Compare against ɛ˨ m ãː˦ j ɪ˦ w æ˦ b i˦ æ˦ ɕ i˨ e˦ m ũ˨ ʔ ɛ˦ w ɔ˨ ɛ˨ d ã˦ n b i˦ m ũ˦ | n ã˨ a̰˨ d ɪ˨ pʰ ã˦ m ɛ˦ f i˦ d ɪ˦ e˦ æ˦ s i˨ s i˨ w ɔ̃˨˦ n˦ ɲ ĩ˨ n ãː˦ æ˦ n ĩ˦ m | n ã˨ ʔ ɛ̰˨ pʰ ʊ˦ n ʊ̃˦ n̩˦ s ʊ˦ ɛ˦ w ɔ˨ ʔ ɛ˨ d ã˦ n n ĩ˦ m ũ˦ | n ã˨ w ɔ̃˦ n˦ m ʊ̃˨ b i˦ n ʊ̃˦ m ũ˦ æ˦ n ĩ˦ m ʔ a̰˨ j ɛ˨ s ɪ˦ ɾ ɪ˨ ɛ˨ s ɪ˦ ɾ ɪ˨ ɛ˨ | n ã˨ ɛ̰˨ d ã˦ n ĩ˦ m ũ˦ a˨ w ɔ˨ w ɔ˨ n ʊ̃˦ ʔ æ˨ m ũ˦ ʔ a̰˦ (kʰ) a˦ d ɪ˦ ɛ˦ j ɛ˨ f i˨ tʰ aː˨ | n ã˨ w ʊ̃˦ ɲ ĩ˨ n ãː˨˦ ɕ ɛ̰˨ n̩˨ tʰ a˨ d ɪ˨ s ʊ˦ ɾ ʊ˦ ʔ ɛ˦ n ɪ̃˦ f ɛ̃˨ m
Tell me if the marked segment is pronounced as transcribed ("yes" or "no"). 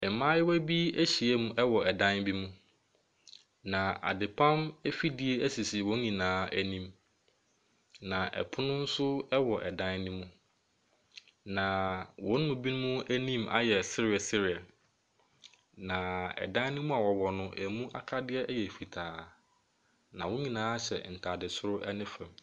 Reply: yes